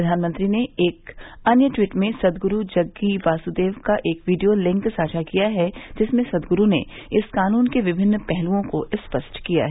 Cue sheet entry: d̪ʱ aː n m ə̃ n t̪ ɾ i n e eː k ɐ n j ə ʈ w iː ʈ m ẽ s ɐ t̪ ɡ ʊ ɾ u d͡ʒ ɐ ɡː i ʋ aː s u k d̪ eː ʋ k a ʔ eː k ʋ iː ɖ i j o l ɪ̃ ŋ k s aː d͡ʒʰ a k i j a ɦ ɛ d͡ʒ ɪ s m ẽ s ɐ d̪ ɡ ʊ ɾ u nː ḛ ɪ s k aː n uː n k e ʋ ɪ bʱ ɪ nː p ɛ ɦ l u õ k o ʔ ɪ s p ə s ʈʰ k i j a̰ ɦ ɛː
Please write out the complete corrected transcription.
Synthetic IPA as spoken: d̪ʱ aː n m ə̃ n t̪ ɾ i n e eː k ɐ n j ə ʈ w iː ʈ m ẽ s ɐ d̪ ɡ ʊ ɾ u d͡ʒ ɐ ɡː i ʋ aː s u d̪ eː ʋ k a ʔ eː k ʋ iː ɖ i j o l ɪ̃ ŋ k s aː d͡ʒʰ a k i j a ɦ ɛ d͡ʒ ɪ s m ẽ s ɐ d̪ ɡ ʊ ɾ u n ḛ ɪ s k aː n uː n k e ʋ ɪ bʱ ɪ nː p ɛ ɦ l u õ k o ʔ ɪ s p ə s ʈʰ k i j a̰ ɦ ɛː